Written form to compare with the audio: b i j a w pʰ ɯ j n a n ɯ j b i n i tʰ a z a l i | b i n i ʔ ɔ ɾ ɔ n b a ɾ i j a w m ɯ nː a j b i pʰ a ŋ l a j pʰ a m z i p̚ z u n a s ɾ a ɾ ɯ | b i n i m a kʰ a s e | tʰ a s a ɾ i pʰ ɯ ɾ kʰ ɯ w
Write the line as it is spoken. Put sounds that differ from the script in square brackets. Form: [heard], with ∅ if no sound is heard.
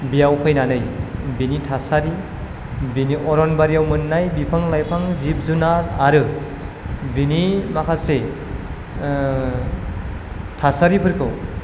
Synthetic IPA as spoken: b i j a w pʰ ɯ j n a n ɯ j b i n i tʰ a [s] a [ɾ] i | b i n i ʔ ɔ ɾ ɔ n b a ɾ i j a w m ɯ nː a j b i pʰ a ŋ l a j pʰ a [ŋ] z i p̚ z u n a [∅] ɾ a ɾ ɯ | b i n i m a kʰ a s e | tʰ a s a ɾ i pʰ ɯ ɾ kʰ ɯ w